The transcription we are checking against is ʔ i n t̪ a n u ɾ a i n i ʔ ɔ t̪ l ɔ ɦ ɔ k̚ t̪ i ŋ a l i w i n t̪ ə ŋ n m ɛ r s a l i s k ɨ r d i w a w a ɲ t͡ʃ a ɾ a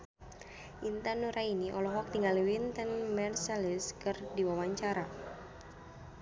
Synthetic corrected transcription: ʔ i n t̪ a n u ɾ a i n i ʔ ɔ l ɔ ɦ ɔ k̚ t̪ i ŋ a l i w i n t̪ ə n m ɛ r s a l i s k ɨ r d i w a w a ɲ t͡ʃ a ɾ a